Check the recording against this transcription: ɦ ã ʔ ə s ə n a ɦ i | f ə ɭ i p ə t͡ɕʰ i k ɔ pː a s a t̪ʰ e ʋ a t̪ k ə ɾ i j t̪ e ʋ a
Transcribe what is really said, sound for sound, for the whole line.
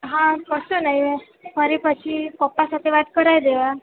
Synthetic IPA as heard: ɦ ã k ə s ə n a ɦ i | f ə ɾ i p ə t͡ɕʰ i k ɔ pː a s a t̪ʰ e ʋ a t̪ k ə ɾ a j d̪ e ʋ a